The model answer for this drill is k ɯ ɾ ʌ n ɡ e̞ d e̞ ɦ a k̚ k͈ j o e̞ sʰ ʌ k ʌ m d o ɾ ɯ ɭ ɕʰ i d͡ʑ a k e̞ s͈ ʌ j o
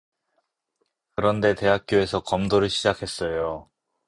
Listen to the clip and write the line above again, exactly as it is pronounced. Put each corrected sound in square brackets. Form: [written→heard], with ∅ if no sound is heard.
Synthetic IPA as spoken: k ɯ ɾ ʌ n [ɡ→d] e̞ [d→t] e̞ ɦ a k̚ k͈ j o e̞ sʰ ʌ k ʌ m d o ɾ ɯ ɭ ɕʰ i d͡ʑ a [k→kʰ] e̞ s͈ ʌ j o